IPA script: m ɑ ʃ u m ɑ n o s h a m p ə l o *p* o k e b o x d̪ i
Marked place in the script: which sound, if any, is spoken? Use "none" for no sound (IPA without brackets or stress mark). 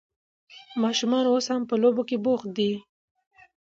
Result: b